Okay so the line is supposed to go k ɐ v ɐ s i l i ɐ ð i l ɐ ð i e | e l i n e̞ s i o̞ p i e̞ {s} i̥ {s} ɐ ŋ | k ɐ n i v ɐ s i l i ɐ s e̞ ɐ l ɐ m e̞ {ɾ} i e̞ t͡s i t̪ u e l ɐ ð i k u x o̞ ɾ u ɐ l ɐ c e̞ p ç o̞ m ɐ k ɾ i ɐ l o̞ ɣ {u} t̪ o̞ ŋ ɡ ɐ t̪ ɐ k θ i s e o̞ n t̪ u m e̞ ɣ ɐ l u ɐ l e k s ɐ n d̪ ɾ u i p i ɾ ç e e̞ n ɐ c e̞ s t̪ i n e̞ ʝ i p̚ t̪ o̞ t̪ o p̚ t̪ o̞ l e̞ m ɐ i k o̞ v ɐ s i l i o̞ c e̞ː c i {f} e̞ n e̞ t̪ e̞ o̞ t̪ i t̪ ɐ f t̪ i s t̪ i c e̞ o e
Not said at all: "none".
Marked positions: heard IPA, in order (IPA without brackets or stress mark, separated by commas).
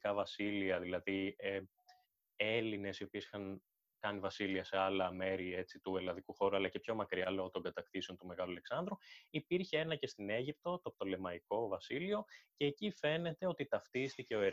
s, x, ɾ, o, f